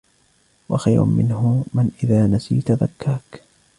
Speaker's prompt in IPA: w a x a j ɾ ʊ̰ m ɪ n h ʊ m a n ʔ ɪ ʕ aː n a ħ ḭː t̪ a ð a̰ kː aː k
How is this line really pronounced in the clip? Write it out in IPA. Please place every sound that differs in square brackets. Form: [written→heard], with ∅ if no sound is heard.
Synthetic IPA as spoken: w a x a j ɾ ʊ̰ m ɪ n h ʊ m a n ʔ ɪ [ʕ→ð] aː n a [ħ→s] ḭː t̪ a ð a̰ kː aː k